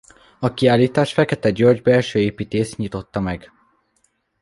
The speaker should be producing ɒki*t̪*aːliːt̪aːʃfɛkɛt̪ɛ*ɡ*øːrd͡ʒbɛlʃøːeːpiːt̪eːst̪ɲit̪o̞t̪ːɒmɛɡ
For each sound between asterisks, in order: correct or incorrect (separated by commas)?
incorrect, incorrect